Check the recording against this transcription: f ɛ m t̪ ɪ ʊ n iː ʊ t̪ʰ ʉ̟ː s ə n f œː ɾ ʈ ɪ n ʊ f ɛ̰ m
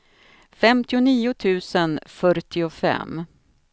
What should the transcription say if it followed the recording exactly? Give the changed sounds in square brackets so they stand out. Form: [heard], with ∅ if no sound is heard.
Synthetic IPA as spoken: f ɛ m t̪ ɪ ʊ n iː ʊ t̪ʰ ʉ̟ː s ə n f [œ] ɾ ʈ ɪ [∅] ʊ f ɛ̰ m